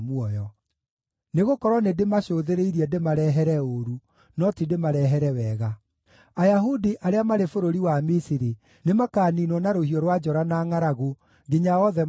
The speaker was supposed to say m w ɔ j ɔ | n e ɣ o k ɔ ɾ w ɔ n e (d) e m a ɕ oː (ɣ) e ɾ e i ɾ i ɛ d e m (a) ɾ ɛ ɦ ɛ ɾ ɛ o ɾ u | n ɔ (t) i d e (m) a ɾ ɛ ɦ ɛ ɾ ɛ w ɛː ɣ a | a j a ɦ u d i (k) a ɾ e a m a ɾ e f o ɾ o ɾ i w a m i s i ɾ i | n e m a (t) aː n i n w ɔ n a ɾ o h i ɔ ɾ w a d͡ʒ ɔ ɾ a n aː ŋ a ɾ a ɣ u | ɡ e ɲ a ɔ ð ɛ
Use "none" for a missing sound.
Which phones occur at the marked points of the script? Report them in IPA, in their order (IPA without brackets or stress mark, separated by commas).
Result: d, ð, a, t, m, ʔ, k